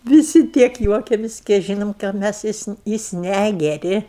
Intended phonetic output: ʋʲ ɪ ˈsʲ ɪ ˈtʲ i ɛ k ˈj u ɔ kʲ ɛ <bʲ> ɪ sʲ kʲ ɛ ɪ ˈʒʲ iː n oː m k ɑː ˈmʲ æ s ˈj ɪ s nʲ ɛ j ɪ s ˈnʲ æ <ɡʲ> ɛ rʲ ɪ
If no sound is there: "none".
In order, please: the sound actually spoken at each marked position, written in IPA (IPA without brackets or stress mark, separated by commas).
mʲ, ɡʲ